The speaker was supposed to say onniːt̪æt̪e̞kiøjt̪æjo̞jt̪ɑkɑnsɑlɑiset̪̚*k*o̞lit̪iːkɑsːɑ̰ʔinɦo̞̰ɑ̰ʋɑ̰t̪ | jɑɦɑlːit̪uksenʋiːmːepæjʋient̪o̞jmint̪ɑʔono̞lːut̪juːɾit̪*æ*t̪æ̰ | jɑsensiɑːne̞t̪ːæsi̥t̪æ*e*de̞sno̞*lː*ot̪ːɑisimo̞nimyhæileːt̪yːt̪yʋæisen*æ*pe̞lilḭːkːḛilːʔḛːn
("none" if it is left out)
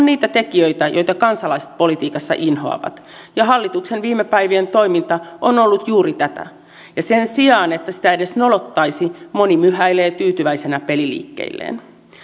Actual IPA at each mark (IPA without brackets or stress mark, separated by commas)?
p, æ, e, l, æ